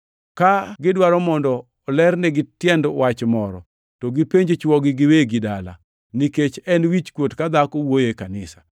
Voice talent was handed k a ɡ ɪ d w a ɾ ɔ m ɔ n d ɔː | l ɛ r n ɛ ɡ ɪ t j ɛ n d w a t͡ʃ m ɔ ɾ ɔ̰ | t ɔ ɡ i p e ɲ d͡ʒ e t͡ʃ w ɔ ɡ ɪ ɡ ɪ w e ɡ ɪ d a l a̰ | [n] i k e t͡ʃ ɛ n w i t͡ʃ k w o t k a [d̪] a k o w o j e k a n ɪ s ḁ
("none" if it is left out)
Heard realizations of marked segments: n, d̪

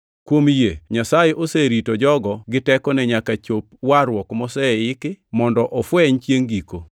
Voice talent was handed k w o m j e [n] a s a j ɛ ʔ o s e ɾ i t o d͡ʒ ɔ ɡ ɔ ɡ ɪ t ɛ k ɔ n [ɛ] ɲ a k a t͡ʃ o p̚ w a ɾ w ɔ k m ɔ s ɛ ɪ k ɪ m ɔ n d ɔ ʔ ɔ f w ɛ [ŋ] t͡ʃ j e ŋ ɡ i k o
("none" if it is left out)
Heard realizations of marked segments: ɲ, ɛ, ɲ

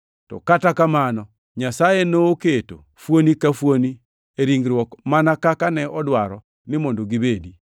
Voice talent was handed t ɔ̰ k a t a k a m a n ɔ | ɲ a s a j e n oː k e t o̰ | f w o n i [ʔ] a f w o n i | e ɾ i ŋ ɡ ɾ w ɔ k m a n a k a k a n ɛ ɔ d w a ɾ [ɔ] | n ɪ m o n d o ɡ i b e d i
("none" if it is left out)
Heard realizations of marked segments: k, ɔ

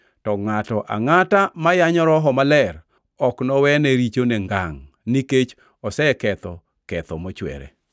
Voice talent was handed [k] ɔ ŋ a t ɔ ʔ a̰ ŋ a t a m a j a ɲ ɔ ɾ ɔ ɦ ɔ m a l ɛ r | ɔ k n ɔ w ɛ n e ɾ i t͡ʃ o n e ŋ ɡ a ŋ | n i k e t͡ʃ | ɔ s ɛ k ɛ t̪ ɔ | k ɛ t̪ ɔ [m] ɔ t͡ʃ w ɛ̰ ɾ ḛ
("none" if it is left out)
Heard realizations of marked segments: t, m

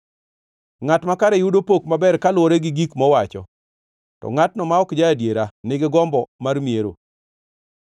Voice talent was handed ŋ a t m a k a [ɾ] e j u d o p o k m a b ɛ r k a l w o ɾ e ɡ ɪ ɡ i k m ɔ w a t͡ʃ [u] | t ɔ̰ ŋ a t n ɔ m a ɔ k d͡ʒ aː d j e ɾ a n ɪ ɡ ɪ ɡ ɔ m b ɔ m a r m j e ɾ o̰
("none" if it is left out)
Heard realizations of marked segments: ɾ, ɔ

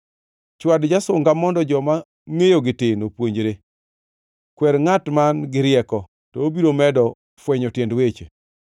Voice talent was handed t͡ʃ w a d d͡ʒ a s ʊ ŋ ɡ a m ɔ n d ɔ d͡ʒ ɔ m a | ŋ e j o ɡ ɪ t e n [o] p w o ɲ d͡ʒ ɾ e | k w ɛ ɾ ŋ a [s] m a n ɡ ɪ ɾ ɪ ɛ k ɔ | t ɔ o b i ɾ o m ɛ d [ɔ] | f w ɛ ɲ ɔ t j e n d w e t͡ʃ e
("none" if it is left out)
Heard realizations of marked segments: o, t, ɔ

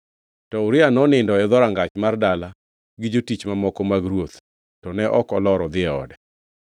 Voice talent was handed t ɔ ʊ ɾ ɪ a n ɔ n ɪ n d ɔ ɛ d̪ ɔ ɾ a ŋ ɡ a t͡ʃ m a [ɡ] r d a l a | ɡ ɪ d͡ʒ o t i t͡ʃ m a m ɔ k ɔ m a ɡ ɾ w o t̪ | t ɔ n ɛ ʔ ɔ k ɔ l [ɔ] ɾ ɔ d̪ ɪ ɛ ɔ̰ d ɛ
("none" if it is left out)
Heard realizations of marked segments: none, ɔ

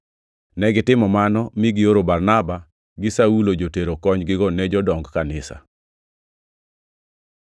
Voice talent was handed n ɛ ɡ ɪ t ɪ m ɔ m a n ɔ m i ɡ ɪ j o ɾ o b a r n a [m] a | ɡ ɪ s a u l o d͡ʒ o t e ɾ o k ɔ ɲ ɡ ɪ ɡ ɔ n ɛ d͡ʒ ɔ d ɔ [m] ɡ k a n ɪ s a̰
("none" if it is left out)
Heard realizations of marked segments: b, ŋ

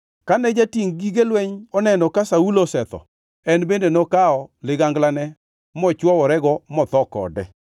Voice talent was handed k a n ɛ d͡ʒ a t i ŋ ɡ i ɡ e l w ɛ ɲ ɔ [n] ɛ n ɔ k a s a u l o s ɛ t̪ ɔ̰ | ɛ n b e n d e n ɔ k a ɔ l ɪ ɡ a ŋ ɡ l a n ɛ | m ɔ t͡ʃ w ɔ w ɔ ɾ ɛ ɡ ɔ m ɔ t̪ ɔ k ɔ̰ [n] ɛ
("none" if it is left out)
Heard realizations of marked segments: n, d

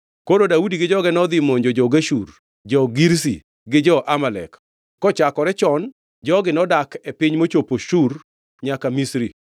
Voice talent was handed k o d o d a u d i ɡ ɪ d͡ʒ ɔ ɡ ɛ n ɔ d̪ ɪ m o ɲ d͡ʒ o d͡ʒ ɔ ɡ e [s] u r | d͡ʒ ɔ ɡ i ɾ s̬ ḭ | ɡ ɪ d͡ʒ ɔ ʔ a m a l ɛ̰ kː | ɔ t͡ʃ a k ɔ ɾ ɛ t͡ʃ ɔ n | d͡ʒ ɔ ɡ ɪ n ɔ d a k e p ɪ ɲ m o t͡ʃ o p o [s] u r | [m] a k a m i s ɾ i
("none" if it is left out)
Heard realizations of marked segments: ʃ, ʃ, ɲ

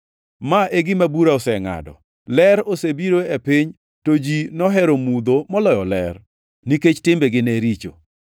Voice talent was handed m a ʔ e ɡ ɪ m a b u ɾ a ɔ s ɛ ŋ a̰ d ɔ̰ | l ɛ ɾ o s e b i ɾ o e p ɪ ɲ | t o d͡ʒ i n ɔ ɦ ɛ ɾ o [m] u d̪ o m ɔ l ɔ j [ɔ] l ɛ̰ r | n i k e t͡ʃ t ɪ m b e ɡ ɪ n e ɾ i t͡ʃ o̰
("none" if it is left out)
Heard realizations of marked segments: m, ɔ

